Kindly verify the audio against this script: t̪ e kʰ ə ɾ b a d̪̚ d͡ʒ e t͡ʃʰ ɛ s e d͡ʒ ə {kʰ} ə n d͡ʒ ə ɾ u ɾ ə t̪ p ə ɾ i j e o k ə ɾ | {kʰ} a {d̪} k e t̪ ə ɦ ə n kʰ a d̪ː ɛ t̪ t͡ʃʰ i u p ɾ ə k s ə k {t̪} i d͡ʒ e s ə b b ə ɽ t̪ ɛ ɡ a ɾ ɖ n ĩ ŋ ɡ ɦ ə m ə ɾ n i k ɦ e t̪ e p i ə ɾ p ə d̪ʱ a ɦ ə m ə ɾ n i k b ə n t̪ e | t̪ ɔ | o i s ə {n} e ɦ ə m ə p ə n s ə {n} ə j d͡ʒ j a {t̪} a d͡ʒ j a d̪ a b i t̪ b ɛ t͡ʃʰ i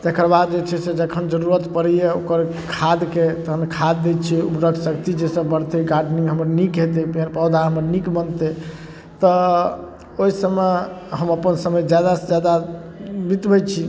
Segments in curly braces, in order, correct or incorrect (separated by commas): correct, correct, correct, correct, incorrect, incorrect, incorrect